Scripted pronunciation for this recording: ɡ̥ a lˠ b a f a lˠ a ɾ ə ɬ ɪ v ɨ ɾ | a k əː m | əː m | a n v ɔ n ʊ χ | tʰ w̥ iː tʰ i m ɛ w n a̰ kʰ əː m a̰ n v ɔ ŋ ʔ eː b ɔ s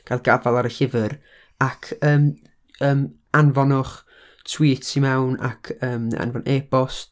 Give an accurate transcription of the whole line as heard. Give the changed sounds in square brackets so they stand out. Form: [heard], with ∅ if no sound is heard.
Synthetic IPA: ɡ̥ a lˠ [ɡ] a [v] a lˠ a ɾ ə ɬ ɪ v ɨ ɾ | a [kʰ] əː m | əː m | a n v ɔ n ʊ χ | tʰ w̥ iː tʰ i m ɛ w n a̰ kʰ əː m a̰ n v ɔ [n] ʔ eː b ɔ s